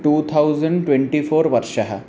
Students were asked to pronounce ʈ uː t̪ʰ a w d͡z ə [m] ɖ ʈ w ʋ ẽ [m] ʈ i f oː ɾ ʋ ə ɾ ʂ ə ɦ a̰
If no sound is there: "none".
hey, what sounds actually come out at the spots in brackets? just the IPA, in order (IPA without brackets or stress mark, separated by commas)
ɳ, ɳ